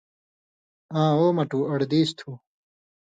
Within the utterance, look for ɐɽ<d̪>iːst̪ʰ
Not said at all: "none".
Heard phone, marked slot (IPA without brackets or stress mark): d̪